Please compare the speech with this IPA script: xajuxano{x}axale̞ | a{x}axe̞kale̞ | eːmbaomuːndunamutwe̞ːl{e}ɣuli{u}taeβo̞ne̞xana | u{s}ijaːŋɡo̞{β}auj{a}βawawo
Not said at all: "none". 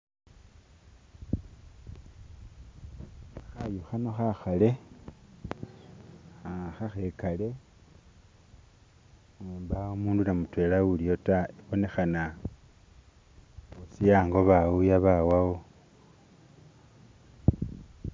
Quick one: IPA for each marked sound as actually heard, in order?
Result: x, x, a, o, s, β, a

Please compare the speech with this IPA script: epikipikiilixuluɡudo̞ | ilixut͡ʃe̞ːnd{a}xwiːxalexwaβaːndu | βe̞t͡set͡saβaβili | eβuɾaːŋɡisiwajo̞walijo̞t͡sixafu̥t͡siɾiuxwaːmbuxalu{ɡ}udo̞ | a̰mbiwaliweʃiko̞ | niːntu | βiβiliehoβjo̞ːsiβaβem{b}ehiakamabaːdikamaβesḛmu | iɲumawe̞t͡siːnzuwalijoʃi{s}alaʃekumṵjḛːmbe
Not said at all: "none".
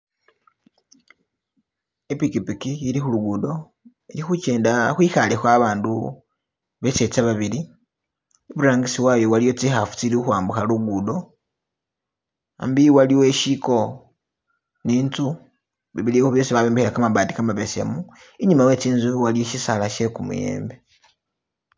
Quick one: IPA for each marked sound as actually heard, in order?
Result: a, ɡ, b, s

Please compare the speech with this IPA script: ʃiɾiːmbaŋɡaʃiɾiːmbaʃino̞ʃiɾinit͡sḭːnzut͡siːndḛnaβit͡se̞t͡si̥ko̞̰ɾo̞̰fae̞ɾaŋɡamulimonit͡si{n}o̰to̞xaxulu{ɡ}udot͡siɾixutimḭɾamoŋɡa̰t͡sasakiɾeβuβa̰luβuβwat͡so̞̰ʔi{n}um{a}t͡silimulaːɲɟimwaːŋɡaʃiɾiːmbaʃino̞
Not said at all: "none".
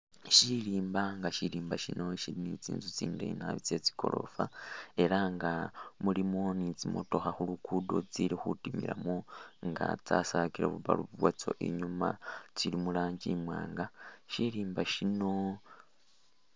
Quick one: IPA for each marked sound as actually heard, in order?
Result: m, k, ɲ, a

